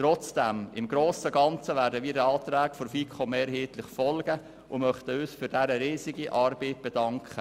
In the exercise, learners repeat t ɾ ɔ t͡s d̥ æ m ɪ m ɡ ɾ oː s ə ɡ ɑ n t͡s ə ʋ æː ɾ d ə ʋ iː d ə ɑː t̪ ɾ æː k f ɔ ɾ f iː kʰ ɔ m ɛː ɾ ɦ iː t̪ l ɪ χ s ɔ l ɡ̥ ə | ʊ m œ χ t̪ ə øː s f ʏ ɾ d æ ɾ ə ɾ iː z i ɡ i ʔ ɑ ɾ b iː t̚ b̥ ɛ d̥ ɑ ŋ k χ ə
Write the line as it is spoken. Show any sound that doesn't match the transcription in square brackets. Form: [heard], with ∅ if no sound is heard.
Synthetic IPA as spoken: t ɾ ɔ t͡s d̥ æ m ɪ m ɡ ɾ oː s ə ɡ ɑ n t͡s ə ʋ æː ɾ d ə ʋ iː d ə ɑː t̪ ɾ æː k f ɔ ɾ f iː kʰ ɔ m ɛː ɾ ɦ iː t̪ l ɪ χ [f] ɔ l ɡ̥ ə | ʊ m œ χ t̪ ə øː s f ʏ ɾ d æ ɾ ə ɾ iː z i ɡ i ʔ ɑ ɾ b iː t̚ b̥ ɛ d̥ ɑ ŋ k χ ə